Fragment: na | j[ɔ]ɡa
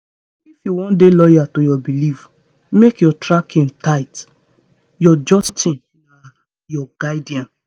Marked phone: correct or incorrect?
correct